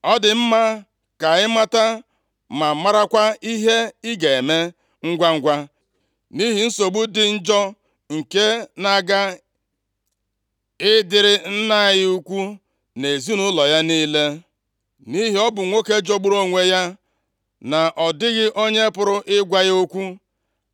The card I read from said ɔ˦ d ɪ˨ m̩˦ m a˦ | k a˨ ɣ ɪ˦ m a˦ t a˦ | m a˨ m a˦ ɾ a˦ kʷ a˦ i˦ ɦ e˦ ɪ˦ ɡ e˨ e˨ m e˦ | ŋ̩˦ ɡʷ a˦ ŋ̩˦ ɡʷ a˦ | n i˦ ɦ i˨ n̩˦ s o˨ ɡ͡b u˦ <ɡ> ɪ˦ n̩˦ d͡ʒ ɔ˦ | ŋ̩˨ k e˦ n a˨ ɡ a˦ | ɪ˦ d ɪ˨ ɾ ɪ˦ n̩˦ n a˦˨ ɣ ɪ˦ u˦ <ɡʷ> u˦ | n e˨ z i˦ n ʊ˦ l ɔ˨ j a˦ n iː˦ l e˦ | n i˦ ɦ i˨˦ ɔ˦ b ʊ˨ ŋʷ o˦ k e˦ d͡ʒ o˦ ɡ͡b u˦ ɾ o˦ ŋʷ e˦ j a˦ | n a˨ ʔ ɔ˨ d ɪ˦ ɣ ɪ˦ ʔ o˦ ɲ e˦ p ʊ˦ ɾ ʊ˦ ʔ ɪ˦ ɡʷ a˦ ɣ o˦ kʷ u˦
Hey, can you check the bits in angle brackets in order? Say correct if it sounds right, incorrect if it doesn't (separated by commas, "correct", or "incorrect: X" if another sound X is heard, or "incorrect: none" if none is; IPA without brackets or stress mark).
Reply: incorrect: d, incorrect: kʷ